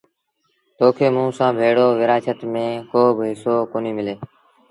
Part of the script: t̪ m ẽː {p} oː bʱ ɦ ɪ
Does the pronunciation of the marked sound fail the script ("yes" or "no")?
yes